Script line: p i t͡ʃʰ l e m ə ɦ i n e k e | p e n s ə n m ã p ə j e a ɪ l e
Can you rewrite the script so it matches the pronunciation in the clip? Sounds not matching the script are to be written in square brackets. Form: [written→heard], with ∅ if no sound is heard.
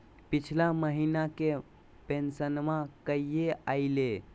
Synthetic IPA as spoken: p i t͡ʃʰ l [e→a] m ə ɦ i n [e→a] k e | p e n s ə n m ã [p→k] ə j e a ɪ l e